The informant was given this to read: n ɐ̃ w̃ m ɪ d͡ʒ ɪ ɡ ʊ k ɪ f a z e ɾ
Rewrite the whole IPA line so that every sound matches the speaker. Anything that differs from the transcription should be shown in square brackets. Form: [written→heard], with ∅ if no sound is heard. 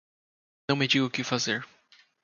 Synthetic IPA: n ɐ̃ w̃ m ɪ d͡ʒ [ɪ→i] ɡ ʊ k ɪ f a z e ɾ